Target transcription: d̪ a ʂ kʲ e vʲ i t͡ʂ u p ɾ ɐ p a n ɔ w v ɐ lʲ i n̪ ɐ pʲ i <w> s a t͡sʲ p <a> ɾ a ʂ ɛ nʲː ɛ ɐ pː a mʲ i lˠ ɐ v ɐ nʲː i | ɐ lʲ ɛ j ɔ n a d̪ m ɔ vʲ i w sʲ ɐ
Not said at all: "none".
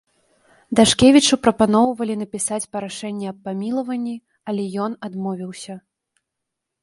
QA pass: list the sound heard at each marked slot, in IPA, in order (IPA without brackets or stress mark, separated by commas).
none, ɐ